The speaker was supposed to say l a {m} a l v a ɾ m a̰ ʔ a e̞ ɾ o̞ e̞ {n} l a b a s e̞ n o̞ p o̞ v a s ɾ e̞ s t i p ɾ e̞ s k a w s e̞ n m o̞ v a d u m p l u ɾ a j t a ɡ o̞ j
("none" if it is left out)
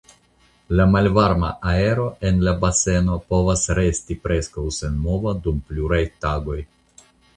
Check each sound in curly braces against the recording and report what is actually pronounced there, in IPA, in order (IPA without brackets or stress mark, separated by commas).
m, n